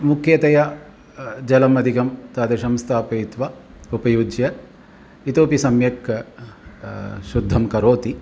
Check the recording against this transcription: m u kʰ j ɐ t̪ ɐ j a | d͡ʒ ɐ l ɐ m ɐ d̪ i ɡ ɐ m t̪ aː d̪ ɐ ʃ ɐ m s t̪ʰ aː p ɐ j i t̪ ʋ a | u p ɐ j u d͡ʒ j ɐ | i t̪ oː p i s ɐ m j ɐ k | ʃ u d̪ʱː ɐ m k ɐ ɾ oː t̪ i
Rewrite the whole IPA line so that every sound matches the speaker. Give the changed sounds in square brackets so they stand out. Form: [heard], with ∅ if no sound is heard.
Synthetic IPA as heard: m u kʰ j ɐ t̪ ɐ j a | d͡ʒ ɐ l ɐ m ɐ d̪ i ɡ ɐ m t̪ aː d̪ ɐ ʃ ɐ m s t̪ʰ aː p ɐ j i t̪ ʋ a | u p ɐ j u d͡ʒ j ɐ | i t̪ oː p i s ɐ m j ɐ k | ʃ u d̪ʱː ɐ m k ɐ ɾ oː t̪ i